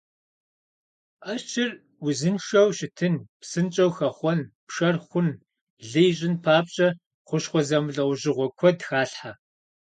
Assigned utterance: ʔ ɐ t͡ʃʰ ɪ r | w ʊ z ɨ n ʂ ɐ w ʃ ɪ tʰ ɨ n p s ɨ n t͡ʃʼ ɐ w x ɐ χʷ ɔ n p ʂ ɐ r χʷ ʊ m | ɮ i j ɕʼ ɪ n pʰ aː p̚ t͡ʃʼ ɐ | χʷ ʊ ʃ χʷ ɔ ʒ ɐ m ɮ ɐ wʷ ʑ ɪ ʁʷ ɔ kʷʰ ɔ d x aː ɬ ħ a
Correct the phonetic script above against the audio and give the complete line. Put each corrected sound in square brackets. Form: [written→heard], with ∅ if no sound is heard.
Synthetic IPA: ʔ ɐ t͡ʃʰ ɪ r | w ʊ z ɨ n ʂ ɐ w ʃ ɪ tʰ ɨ n p s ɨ n t͡ʃʼ ɐ w x ɐ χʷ ɔ n p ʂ ɐ r χʷ ʊ [m→n] | ɮ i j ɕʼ ɪ n pʰ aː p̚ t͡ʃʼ ɐ | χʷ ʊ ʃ χʷ ɔ [ʒ→z] ɐ m ɮ ɐ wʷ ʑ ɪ ʁʷ ɔ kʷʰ ɔ d x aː ɬ ħ a